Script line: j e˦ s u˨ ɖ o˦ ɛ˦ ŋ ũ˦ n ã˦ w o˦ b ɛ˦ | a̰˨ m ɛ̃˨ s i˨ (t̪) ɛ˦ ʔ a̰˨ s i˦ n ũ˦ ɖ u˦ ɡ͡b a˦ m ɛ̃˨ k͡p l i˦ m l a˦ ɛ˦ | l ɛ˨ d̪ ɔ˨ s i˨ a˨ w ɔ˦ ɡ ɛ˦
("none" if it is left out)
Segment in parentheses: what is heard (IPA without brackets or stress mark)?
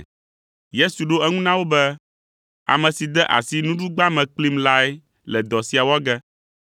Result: d̪